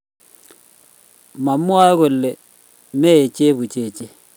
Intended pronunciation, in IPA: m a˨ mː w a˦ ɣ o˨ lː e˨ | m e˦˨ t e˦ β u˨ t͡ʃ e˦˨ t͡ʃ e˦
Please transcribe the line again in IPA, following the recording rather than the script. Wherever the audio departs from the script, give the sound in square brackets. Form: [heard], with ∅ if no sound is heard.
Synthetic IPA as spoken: m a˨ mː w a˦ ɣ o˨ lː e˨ | m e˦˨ [t͡ʃ] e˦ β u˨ t͡ʃ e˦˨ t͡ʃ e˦